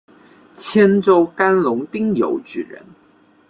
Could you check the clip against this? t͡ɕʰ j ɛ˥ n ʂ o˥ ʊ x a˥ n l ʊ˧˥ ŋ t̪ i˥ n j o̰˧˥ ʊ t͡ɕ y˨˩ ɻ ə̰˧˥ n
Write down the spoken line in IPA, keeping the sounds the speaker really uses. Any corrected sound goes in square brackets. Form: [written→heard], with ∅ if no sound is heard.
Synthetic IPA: t͡ɕʰ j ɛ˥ n [ʂ→ʈ͡ʂ] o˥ ʊ [x→k] a˥ n l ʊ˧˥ ŋ t̪ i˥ [n→ŋ] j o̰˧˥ ʊ t͡ɕ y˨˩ ɻ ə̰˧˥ n